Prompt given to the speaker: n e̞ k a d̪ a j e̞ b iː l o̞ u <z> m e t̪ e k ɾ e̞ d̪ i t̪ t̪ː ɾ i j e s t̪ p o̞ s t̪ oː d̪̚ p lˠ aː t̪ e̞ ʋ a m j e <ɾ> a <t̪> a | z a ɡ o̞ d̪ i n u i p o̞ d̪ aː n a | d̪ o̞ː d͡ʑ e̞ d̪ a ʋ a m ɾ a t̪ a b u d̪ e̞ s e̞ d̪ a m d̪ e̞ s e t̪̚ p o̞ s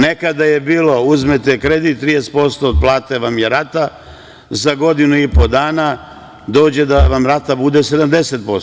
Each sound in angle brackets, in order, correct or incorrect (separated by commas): correct, correct, correct